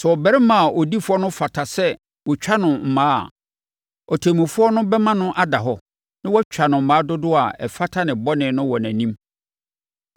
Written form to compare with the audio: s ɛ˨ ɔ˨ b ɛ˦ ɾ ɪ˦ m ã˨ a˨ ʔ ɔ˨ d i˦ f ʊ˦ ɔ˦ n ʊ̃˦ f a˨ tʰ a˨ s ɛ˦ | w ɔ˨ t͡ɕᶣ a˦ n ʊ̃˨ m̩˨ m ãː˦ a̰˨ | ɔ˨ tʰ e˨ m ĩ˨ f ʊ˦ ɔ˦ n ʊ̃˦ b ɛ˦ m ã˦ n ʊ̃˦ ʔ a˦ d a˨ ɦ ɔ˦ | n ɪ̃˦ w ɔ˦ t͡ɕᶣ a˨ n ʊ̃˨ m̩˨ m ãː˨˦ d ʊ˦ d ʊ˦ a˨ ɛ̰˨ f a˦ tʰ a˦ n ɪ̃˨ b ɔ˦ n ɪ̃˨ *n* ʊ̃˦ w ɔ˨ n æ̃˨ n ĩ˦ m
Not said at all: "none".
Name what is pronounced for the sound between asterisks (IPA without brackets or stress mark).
n